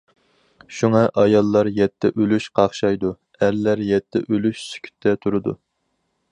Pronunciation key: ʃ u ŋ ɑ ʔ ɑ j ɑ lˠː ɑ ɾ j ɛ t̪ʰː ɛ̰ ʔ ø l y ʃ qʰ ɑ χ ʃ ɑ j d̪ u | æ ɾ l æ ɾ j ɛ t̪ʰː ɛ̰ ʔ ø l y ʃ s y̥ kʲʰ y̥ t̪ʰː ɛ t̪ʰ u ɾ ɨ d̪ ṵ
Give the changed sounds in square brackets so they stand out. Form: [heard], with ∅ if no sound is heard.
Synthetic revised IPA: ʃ u ŋ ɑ ʔ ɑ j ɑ lˠː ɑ ɾ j ɛ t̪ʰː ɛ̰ ʔ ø l y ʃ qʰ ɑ χ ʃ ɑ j d̪ u | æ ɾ l æ ɾ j ɛ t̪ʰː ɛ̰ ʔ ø l y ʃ s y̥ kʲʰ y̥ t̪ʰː ɛ t̪ʰ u ɾ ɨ d̪ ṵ